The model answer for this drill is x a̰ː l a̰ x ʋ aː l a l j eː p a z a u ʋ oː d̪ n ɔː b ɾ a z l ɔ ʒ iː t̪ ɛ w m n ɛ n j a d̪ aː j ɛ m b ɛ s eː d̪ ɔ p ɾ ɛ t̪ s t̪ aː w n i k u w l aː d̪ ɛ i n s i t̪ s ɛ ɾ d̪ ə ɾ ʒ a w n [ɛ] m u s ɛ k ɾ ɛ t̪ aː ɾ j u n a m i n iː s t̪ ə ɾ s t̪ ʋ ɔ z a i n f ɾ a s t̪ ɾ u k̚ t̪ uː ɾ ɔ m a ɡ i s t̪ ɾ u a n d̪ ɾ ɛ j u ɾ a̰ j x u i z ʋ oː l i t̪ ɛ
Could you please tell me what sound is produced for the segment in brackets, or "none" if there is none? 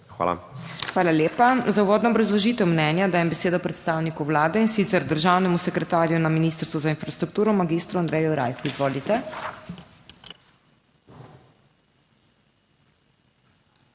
ɛ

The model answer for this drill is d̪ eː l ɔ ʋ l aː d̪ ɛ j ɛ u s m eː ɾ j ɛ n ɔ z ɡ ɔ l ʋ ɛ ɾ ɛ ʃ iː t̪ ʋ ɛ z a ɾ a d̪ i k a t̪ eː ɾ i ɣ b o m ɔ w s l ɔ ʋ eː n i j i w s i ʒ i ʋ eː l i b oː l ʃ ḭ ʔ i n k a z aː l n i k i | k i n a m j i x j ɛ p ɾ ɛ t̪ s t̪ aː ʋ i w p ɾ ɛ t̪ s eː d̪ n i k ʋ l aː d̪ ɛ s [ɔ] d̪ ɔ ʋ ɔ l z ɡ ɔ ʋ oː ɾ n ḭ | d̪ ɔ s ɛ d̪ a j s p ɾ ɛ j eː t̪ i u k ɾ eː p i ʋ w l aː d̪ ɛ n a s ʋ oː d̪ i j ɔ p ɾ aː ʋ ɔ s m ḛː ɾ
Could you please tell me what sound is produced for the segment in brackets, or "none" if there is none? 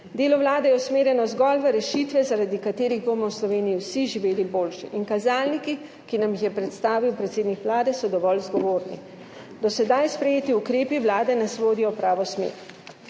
ɔ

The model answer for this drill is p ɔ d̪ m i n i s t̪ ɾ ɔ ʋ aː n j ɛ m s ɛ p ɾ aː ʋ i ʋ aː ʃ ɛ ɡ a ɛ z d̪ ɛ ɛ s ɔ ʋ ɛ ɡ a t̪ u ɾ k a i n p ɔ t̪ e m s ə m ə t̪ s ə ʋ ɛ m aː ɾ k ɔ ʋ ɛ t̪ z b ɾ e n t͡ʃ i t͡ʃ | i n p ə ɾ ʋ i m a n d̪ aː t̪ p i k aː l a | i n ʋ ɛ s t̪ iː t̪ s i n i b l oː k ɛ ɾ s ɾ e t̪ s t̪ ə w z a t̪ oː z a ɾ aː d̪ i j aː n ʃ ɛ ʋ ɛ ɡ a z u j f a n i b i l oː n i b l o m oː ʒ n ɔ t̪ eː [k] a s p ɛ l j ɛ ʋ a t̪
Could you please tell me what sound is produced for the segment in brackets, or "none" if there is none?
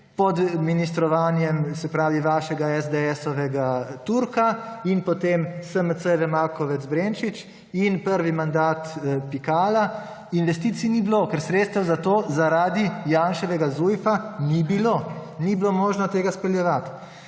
ɡ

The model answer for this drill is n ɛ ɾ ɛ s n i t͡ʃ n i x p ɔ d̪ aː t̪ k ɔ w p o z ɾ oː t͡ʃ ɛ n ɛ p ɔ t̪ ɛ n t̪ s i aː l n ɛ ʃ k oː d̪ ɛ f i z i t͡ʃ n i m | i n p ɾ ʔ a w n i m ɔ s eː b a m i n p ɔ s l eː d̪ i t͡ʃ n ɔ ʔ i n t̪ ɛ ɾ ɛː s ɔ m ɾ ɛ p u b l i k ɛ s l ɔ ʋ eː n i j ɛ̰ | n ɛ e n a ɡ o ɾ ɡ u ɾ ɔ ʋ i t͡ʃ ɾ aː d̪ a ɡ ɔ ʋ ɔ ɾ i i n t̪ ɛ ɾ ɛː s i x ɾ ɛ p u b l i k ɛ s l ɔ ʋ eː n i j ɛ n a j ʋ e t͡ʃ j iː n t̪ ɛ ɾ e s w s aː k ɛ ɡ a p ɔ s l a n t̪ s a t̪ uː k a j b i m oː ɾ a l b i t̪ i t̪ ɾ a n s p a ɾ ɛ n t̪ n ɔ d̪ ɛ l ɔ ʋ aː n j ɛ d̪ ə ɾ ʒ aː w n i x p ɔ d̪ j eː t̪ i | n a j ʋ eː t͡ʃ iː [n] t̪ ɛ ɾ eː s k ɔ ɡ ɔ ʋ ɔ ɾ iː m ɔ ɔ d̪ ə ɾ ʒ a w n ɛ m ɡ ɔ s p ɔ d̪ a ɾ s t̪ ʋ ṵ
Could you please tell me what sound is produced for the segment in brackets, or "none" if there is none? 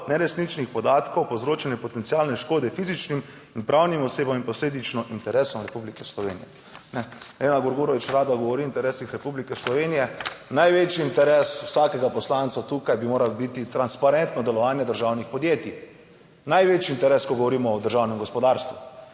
n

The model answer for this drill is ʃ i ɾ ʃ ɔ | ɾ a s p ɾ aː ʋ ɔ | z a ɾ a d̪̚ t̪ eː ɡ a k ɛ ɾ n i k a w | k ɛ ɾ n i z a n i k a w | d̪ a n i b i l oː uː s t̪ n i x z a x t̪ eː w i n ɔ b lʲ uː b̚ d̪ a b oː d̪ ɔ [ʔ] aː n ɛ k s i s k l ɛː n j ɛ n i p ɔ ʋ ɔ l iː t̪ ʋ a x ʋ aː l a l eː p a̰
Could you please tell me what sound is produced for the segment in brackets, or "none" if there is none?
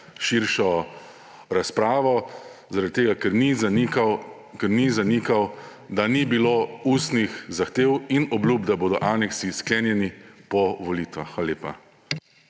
ʔ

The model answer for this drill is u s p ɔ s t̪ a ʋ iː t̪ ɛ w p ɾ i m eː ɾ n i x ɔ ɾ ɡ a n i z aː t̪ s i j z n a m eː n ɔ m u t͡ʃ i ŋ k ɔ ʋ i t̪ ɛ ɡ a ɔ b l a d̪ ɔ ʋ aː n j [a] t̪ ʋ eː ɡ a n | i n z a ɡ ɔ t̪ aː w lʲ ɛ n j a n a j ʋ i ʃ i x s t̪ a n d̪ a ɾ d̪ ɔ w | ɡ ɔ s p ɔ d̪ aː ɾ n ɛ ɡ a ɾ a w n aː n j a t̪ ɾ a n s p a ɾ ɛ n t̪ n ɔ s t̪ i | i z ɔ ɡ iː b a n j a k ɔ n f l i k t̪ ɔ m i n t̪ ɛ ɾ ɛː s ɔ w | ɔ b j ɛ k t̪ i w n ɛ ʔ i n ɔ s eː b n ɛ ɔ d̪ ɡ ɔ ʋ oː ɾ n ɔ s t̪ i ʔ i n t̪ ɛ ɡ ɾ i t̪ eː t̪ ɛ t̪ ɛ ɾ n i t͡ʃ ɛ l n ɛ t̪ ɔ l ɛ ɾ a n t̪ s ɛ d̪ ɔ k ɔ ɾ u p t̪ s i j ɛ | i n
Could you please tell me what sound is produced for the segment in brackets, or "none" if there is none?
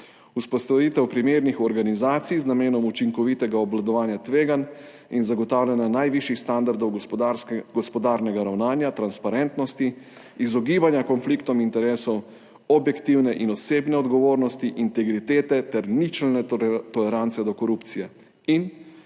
a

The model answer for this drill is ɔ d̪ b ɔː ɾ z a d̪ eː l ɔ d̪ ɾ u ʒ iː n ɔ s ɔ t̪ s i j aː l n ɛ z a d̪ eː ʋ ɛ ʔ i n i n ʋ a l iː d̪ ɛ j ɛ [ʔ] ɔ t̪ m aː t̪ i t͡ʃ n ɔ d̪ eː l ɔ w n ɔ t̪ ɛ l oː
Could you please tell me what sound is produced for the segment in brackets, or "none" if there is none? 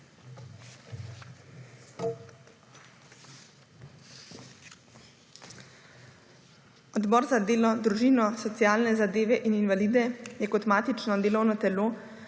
k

